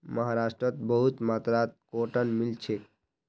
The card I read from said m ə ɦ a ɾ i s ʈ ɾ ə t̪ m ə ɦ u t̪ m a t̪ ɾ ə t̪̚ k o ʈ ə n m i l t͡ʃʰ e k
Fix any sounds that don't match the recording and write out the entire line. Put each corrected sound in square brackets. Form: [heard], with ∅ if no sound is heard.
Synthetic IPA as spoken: m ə ɦ a ɾ [a] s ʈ ɾ ə t̪ [b] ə ɦ u t̪ m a t̪ ɾ [a] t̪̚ k o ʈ ə n m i l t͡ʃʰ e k